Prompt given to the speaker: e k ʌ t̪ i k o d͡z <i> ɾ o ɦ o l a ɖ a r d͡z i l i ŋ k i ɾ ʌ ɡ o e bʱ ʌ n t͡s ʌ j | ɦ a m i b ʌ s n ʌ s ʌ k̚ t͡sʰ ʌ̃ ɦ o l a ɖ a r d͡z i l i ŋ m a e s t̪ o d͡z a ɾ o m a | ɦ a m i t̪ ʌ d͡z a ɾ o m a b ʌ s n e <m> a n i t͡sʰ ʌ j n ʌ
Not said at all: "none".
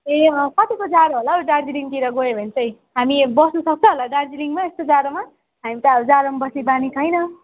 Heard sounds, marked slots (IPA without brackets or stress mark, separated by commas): a, b